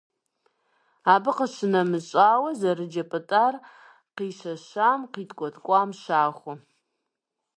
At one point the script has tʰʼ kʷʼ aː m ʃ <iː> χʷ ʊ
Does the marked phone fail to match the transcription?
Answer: yes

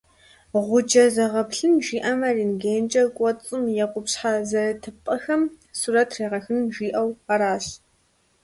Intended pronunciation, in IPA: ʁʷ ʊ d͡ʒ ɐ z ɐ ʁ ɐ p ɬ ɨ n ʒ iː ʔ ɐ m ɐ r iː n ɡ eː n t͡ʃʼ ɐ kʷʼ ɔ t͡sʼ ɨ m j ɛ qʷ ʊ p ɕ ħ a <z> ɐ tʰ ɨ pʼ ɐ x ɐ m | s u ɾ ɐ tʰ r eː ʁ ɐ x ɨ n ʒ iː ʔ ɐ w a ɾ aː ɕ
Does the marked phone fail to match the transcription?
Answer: no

